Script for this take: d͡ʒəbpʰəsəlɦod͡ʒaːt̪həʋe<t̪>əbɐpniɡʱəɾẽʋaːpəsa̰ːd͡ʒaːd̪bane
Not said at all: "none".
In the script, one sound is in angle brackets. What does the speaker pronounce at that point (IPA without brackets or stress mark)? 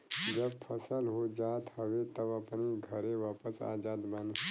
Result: t̪